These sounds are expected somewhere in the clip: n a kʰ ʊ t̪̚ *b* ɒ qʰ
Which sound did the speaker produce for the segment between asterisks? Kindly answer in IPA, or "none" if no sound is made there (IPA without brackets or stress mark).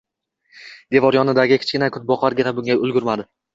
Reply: b